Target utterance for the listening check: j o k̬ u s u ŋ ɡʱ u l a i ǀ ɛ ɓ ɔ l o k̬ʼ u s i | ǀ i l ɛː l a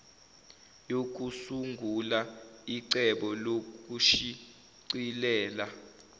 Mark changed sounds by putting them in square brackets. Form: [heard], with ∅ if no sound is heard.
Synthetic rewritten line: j o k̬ u s u ŋ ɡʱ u l a i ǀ ɛ ɓ ɔ l o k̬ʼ u [ʃ] i | ǀ i l ɛː l a